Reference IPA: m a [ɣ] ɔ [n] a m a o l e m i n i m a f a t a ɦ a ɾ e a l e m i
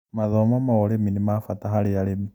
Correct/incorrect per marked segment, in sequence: incorrect: ð, incorrect: m

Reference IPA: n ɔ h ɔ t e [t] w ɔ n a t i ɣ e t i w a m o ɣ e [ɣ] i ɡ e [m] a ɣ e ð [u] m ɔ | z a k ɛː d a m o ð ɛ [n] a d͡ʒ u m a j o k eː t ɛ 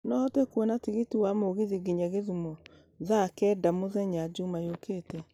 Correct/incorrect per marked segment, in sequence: incorrect: k, incorrect: ð, incorrect: ɲ, correct, incorrect: ɲ

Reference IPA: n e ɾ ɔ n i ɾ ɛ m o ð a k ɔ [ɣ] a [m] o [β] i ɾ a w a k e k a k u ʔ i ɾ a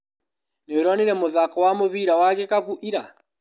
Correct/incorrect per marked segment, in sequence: incorrect: w, correct, correct

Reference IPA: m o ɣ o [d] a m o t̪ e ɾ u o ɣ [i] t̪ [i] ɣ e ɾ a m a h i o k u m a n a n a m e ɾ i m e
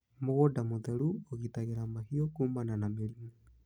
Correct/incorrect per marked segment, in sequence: correct, correct, incorrect: a

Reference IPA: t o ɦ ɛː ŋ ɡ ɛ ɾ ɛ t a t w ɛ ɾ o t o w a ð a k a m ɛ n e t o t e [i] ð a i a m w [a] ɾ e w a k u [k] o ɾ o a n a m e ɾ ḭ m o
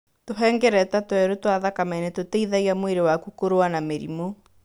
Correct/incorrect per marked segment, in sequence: correct, incorrect: e, correct

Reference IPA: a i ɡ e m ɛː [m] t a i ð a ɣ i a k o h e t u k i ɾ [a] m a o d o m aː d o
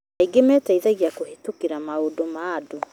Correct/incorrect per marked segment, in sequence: incorrect: none, correct

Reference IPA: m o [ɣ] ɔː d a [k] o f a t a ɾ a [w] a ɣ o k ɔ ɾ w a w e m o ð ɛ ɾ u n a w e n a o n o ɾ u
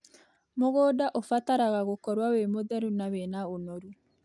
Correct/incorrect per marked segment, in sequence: correct, incorrect: ʔ, incorrect: ɣ

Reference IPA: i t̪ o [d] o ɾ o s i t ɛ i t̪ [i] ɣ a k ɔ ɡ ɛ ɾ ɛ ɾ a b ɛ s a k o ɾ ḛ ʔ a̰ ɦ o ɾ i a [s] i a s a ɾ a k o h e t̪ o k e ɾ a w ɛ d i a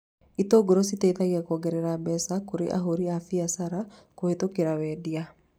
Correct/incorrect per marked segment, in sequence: incorrect: ɡ, incorrect: a, incorrect: f

